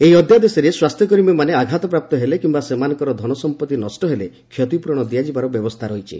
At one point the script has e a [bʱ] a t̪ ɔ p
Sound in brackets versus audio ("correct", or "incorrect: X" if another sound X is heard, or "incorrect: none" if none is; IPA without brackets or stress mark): incorrect: ɡʱ